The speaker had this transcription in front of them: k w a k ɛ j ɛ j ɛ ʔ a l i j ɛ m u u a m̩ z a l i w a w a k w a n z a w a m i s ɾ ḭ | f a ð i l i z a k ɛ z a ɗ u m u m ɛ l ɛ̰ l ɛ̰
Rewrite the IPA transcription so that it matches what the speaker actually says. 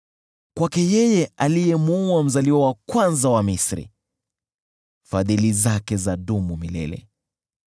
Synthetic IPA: k w a k ɛ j ɛ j ɛ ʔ a l i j ɛ m u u a m̩ z a l i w a w a k w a n z a w a m i s ɾ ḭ | f a ð i l i z a k ɛ z a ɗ u m u m i l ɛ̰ l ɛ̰